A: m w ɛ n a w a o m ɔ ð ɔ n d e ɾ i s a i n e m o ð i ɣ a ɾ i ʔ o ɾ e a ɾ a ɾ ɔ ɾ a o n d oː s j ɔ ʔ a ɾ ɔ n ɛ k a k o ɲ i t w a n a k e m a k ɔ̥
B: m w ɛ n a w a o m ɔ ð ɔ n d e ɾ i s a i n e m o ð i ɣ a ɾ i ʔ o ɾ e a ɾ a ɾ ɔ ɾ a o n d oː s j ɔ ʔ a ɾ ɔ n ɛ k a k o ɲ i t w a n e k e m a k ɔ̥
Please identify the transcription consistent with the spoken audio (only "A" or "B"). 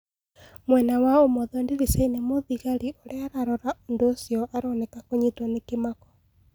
B